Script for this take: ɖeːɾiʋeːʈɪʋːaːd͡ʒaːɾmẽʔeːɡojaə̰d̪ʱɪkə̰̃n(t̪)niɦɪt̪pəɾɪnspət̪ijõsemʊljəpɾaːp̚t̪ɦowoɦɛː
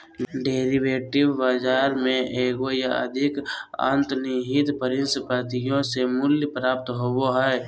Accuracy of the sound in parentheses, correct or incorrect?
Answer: correct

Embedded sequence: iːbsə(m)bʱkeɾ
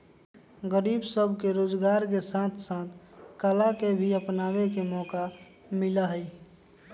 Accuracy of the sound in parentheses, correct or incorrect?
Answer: incorrect: none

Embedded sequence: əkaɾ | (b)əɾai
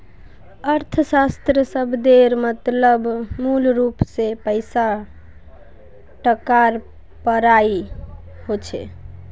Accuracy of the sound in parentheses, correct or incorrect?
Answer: incorrect: p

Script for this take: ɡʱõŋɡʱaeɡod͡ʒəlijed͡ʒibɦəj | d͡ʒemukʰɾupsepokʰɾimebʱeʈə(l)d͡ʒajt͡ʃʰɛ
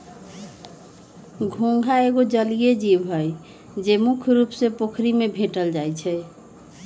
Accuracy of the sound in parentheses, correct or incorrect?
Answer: correct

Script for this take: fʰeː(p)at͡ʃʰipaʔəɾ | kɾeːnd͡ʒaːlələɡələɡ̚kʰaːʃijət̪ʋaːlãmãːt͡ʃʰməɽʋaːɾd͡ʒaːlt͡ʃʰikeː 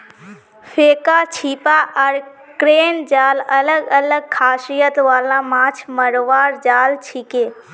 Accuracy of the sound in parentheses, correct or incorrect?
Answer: incorrect: k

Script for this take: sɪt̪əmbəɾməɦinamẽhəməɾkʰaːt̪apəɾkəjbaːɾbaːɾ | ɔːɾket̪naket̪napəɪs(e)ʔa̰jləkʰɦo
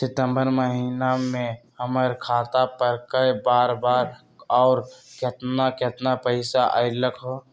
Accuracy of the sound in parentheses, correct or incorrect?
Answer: incorrect: a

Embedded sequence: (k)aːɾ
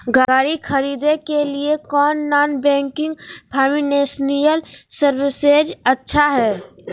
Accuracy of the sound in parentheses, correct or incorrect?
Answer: incorrect: ɡ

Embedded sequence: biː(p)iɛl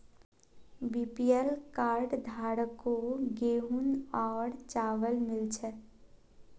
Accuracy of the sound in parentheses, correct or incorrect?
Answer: correct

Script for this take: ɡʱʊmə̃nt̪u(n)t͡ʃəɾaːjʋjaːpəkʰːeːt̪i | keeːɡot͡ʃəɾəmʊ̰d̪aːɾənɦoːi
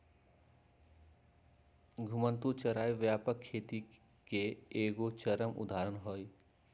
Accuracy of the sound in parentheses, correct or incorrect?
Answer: incorrect: none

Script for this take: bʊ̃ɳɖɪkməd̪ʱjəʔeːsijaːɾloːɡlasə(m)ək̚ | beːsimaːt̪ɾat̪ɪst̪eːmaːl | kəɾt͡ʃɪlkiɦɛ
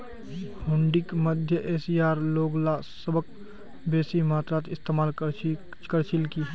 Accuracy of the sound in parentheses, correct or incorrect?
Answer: incorrect: b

